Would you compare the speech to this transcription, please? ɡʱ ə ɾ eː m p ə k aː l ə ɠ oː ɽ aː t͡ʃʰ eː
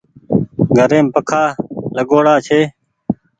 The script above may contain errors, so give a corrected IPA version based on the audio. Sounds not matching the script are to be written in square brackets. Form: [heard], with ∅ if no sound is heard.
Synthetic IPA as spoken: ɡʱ ə ɾ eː m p ə [kʰ] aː l ə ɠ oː ɽ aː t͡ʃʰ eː